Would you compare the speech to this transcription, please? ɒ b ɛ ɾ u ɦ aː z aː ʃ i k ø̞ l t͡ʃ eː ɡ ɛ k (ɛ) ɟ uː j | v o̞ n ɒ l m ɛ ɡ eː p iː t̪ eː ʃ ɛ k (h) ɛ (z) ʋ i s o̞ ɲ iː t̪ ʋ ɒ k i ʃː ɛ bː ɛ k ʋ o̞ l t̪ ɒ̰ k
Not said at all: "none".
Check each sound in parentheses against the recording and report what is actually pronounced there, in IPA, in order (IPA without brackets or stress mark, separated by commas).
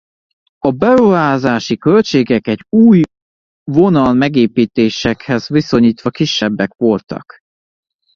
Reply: ɛ, h, z